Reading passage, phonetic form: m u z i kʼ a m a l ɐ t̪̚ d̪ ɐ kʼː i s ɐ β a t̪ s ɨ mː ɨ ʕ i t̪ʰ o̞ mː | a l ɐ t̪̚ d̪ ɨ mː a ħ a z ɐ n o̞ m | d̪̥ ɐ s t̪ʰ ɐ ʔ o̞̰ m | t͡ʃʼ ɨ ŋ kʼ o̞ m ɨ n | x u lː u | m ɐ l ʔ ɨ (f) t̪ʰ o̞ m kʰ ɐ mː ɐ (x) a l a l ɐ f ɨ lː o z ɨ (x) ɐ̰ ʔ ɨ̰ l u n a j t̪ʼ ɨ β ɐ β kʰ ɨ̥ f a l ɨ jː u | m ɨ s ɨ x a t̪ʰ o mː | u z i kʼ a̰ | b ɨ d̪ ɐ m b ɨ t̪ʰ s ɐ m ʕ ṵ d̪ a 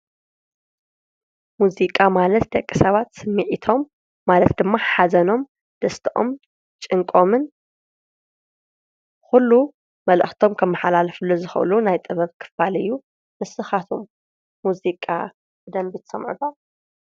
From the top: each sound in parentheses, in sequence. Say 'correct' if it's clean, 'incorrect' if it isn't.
incorrect, incorrect, correct

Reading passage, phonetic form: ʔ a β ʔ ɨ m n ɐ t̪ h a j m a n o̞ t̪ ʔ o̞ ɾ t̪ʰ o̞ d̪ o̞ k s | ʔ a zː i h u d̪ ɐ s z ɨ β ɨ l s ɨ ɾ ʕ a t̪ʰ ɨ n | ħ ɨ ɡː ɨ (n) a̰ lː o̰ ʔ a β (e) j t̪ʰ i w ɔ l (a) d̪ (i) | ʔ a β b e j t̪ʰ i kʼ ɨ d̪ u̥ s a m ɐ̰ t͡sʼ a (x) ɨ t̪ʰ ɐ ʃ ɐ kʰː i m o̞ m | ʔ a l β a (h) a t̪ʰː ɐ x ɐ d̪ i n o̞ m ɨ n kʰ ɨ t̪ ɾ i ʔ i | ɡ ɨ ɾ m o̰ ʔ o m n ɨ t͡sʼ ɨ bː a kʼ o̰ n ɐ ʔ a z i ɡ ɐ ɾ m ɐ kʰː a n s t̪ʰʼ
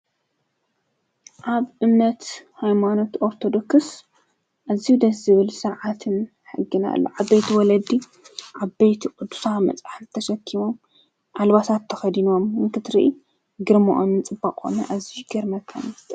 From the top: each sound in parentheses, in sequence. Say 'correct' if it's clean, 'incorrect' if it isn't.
correct, correct, incorrect, correct, incorrect, incorrect

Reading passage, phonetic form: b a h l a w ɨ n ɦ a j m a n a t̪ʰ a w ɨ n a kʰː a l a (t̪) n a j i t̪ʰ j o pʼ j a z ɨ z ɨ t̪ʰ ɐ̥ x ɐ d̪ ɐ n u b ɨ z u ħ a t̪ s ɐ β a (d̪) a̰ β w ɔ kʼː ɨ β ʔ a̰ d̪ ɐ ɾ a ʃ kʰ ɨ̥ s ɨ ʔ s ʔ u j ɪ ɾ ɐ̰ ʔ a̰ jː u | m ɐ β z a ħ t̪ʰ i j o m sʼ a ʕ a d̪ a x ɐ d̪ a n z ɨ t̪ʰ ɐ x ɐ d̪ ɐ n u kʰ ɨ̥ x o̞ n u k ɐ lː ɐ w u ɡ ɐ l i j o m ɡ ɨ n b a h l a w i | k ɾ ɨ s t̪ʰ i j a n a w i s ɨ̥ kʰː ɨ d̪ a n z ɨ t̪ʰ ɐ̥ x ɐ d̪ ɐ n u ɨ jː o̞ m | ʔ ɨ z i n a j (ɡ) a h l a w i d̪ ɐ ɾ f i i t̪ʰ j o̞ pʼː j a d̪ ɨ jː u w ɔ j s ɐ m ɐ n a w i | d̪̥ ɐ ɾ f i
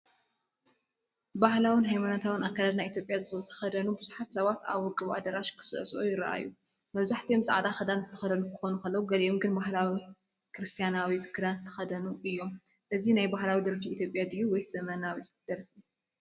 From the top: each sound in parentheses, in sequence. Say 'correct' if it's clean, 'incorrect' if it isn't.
incorrect, incorrect, incorrect

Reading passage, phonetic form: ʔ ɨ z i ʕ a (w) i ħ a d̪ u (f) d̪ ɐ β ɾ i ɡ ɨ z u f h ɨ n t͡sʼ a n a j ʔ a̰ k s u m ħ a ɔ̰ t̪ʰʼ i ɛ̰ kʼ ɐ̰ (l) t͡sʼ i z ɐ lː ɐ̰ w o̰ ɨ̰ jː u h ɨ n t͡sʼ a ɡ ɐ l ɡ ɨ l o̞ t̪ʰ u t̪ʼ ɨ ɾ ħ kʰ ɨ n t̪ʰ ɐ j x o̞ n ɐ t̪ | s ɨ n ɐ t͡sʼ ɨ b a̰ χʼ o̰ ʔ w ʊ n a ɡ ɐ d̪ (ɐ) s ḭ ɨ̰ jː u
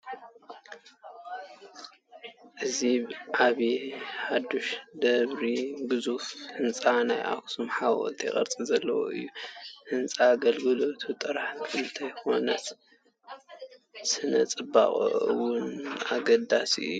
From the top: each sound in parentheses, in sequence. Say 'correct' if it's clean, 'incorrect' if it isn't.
incorrect, incorrect, incorrect, incorrect

